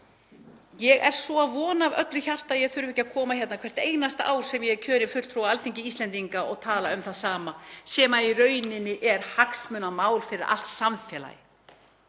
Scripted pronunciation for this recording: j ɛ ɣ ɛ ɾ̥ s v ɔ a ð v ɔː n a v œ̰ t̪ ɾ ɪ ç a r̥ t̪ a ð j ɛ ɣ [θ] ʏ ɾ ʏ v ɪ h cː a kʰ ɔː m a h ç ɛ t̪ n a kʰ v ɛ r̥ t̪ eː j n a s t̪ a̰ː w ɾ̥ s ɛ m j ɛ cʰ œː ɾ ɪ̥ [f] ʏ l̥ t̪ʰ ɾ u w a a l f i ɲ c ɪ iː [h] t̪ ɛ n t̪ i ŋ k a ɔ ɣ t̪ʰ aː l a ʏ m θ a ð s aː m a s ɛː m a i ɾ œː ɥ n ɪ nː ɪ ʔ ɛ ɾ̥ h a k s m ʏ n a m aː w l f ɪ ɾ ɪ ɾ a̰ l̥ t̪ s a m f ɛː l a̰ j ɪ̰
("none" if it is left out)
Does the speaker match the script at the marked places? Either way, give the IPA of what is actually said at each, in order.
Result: θ, f, s

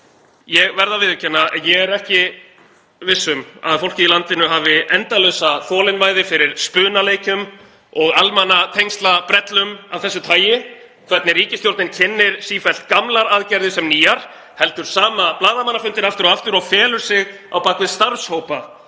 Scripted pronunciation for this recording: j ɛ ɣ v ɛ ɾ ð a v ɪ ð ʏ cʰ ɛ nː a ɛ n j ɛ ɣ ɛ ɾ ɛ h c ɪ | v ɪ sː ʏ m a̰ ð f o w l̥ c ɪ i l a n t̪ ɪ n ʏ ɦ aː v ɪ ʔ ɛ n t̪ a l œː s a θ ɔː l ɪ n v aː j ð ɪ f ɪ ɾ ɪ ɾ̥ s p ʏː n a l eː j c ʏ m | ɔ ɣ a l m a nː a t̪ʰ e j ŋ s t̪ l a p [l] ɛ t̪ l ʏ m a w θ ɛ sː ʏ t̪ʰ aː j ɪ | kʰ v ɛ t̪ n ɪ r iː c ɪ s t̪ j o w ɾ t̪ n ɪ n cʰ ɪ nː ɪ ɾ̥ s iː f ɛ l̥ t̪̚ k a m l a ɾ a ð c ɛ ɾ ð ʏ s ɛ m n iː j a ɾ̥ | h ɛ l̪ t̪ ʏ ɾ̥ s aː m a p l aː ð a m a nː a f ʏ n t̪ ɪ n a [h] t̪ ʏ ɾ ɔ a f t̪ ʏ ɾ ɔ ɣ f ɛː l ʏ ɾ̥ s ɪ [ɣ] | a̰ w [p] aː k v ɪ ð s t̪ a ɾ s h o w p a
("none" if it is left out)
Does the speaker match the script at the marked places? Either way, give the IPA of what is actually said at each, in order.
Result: ɾ, f, ɣ, p

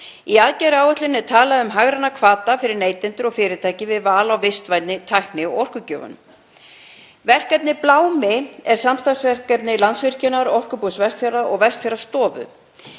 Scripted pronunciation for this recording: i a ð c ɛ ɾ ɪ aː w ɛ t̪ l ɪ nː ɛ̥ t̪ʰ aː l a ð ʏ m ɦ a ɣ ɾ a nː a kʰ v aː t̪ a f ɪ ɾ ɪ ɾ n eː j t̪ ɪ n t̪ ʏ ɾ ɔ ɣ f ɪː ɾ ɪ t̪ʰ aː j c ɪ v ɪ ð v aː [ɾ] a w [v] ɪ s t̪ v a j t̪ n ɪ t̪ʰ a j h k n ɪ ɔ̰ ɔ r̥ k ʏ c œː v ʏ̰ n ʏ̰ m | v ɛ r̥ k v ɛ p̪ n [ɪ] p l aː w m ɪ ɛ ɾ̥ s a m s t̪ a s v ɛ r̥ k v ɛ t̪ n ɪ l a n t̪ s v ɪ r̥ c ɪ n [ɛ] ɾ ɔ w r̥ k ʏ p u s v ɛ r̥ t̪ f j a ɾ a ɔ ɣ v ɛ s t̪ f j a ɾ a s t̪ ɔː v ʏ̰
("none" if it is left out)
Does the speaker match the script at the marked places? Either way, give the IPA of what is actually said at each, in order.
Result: l, v, ɪ, a

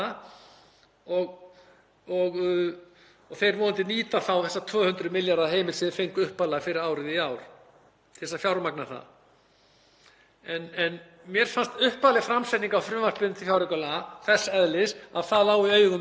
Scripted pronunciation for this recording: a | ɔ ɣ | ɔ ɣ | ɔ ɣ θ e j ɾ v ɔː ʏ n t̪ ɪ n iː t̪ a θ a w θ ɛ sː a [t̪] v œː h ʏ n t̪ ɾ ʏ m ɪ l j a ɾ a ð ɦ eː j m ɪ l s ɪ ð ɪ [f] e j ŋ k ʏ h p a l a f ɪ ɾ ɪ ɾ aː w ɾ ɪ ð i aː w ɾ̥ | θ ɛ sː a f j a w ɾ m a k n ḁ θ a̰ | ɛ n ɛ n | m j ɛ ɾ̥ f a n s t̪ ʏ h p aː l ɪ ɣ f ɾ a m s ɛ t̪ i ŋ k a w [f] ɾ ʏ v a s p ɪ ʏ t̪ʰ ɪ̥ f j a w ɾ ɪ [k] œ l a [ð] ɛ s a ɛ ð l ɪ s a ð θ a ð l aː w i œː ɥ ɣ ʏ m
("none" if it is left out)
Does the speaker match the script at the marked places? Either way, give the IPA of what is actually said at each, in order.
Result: t̪ʰ, f, f, k, θ

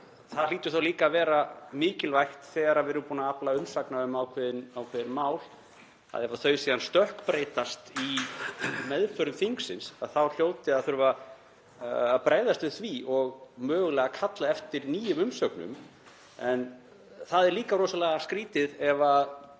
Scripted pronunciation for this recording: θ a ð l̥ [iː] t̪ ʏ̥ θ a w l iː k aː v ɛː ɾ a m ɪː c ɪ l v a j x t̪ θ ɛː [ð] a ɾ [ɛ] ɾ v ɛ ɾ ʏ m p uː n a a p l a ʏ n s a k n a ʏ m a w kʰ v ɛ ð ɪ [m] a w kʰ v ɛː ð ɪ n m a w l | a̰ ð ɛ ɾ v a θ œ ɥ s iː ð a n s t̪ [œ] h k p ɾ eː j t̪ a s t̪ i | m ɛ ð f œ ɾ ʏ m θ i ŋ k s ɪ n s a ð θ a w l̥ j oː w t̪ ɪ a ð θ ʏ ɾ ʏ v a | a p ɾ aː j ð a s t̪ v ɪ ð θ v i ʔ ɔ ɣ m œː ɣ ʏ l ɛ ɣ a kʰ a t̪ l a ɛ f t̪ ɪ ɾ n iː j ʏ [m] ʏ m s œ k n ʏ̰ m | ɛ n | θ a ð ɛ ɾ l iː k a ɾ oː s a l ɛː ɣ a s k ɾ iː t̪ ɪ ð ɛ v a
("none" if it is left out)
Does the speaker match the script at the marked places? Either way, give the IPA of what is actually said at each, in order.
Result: iː, ɣ, a, n, œ, m

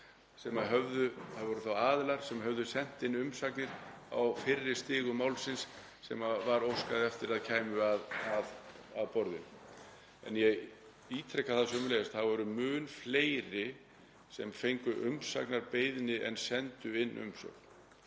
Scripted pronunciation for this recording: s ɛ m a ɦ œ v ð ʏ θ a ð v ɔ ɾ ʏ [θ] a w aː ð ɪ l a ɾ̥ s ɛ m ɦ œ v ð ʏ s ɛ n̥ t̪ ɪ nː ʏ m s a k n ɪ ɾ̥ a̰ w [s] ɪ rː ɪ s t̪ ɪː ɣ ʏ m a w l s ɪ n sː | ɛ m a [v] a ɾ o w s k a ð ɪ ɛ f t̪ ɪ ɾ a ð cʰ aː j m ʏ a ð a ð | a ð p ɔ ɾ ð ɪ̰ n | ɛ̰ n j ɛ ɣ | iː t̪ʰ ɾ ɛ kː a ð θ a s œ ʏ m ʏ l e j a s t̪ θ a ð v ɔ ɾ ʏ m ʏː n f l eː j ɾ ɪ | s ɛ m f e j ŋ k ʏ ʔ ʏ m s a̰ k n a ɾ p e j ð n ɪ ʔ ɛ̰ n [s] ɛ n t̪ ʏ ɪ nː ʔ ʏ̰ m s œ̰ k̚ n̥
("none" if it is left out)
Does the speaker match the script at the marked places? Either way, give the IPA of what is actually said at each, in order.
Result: θ, f, v, s

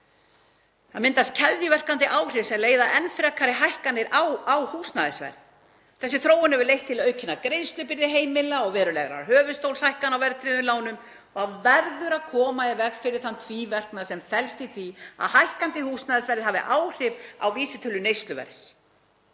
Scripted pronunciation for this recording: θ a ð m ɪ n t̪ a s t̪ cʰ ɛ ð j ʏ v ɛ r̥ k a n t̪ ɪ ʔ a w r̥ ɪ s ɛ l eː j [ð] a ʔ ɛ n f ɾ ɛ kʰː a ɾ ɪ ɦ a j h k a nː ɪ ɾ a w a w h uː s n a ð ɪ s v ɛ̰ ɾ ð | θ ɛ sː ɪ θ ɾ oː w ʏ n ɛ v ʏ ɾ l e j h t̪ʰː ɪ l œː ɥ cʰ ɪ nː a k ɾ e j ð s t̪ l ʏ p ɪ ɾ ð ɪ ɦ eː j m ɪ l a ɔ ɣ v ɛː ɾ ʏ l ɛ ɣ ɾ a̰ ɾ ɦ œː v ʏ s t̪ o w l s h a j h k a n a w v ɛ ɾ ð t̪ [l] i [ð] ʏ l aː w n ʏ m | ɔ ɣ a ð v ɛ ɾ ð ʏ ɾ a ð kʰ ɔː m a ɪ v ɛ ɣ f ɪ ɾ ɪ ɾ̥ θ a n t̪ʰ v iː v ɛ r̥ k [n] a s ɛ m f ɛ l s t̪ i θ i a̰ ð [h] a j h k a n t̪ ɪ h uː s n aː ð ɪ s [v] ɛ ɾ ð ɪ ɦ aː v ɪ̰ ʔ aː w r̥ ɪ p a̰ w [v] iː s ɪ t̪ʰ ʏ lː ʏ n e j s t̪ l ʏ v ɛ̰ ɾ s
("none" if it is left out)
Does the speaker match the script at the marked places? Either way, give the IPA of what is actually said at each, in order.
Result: ð, ɾ, ð, n, h, v, v

